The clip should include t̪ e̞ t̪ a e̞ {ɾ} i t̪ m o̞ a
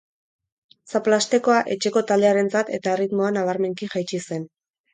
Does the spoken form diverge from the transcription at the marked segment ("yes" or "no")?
yes